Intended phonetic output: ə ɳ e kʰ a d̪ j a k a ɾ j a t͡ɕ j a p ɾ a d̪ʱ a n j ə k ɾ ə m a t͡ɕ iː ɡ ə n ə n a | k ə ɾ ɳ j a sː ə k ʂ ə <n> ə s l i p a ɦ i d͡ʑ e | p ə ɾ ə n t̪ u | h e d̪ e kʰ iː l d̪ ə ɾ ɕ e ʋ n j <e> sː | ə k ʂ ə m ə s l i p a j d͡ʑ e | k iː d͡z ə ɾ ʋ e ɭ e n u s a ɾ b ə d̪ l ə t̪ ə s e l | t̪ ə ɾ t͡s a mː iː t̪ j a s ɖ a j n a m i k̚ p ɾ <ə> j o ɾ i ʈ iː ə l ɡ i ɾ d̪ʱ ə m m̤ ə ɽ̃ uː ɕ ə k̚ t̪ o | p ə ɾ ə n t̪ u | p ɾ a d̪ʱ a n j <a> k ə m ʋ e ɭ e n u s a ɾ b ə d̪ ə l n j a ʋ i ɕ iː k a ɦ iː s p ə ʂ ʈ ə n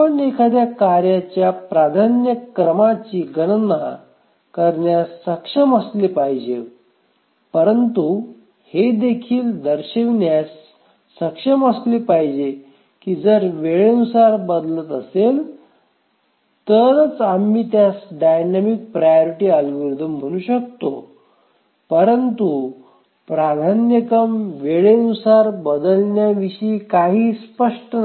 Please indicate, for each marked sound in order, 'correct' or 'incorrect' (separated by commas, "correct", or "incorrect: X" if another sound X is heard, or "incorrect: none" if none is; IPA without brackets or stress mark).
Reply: incorrect: m, incorrect: a, incorrect: a, incorrect: ə